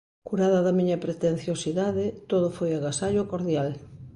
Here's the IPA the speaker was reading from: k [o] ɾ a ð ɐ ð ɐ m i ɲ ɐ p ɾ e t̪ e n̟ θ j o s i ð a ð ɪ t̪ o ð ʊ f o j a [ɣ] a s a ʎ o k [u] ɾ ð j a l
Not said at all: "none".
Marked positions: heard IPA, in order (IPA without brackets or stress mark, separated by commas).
u, ɣ, o